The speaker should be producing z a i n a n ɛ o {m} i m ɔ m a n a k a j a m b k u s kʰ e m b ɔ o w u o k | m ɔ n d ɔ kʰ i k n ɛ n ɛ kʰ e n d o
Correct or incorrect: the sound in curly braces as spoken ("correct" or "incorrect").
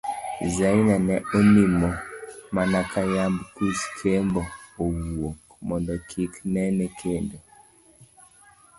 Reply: incorrect